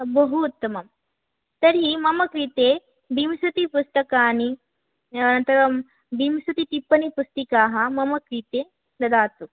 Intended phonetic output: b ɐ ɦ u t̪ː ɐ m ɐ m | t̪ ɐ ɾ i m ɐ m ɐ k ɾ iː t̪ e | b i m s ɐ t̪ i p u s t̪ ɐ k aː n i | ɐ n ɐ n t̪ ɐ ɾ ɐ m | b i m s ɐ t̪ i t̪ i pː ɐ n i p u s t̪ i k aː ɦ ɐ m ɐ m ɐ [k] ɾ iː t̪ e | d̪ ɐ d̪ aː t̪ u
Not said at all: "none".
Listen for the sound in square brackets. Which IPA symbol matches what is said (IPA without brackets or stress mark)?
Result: k